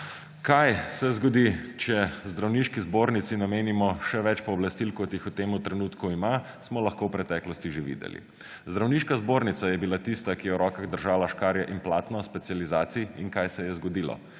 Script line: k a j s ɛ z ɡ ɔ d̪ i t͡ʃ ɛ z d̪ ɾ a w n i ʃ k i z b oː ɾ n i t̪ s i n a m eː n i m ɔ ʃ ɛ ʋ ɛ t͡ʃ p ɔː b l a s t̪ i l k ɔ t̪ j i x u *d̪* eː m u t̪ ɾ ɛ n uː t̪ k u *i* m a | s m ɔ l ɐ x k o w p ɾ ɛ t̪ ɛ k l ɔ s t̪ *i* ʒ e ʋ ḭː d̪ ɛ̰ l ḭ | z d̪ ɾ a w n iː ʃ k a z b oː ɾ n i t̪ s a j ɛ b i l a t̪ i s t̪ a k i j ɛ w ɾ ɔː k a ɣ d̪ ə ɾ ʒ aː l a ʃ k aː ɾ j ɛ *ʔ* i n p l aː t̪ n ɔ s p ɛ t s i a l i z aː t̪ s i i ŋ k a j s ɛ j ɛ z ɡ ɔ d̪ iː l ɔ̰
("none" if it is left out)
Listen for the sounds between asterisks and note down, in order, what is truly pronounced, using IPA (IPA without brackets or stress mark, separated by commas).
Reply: t̪, i, i, ʔ